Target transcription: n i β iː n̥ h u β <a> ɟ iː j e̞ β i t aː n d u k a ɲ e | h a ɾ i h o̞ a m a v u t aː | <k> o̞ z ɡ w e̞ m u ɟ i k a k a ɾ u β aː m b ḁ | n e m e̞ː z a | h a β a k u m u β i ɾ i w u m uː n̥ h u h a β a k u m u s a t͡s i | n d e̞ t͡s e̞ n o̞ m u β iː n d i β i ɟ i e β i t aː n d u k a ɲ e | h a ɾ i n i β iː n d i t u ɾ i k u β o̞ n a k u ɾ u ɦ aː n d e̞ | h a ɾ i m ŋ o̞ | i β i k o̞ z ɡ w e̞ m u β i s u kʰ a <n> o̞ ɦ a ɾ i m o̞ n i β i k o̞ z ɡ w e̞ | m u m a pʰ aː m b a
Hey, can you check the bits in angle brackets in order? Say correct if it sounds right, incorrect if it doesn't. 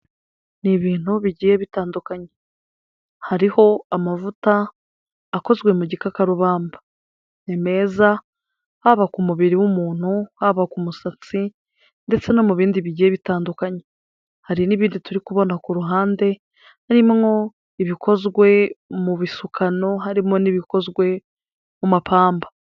incorrect, correct, correct

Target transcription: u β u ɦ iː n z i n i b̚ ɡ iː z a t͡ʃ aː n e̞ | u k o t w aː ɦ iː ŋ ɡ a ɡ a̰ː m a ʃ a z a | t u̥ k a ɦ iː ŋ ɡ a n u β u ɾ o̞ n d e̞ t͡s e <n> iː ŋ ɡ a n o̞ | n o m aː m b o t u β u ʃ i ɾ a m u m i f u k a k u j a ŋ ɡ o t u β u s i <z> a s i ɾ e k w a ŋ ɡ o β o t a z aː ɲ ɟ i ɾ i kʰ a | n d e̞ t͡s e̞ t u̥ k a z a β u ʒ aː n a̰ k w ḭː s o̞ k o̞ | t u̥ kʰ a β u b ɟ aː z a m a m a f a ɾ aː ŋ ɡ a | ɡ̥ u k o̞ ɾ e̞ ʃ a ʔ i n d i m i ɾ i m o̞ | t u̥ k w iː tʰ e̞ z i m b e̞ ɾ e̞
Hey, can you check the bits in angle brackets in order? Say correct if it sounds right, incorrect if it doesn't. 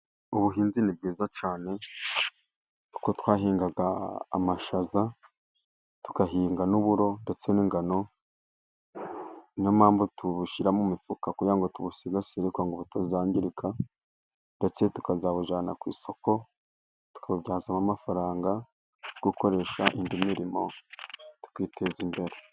correct, correct

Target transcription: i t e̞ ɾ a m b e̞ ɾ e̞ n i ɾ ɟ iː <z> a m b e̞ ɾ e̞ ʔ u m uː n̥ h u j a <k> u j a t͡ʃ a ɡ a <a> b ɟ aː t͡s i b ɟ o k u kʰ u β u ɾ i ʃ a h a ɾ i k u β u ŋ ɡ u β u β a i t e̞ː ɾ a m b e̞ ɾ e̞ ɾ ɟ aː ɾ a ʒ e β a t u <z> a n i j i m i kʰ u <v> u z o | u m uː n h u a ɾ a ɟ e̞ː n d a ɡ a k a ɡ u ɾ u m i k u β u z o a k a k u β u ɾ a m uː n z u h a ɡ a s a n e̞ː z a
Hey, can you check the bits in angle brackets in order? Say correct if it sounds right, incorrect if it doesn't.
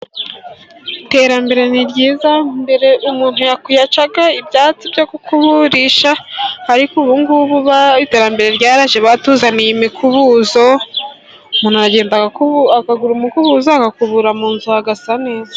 correct, correct, incorrect, correct, incorrect

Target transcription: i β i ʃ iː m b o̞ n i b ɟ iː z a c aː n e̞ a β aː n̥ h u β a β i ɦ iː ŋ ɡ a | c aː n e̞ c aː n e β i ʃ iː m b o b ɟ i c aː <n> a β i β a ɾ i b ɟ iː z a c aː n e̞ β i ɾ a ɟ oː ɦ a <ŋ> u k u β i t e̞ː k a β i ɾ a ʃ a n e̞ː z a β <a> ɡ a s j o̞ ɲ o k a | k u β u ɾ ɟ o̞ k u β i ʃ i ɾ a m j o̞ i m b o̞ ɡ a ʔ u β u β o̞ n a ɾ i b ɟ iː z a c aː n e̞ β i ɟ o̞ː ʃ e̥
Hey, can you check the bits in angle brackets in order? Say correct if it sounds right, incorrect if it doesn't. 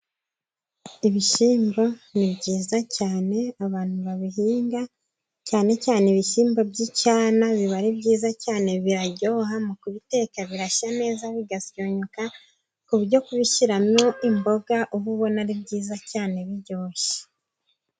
correct, incorrect, incorrect

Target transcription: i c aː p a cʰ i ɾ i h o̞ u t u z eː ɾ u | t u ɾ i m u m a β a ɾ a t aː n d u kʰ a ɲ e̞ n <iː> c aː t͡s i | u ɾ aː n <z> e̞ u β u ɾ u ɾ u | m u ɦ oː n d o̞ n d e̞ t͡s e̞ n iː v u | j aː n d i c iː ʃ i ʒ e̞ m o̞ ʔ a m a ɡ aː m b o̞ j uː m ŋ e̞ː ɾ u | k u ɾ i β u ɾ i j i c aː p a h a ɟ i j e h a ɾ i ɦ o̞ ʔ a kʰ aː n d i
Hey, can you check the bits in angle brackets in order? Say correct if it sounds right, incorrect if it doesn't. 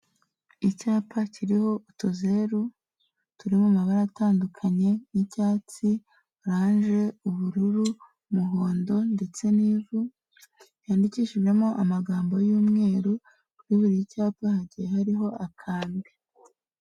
incorrect, incorrect

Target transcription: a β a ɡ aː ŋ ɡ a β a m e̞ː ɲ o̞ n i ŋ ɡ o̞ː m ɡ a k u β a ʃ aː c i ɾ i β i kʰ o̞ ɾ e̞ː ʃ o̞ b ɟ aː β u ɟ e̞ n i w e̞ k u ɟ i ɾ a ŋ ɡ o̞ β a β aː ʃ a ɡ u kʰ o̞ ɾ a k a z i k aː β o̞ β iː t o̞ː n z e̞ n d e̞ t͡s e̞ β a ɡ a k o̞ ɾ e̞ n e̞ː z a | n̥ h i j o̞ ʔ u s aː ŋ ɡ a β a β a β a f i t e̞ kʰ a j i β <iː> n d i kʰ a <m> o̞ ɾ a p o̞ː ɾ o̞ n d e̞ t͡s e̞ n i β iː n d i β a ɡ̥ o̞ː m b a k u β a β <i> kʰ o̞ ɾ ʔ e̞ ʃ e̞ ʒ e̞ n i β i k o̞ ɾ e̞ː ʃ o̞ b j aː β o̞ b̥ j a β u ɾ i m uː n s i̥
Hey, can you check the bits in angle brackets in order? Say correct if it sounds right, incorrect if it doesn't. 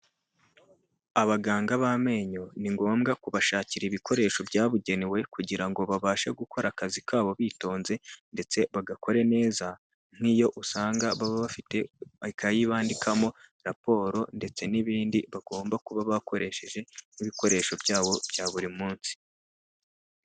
incorrect, correct, incorrect

